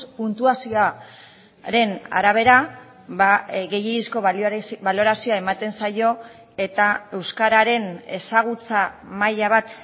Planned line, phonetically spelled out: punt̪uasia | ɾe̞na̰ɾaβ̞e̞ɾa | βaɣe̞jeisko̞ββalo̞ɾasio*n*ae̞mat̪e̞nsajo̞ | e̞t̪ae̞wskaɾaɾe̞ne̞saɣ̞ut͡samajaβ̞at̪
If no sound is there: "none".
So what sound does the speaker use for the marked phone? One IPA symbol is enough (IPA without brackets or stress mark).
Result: none